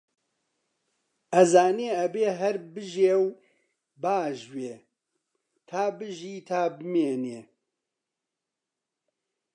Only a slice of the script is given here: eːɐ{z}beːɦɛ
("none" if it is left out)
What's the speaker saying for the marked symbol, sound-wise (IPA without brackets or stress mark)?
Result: none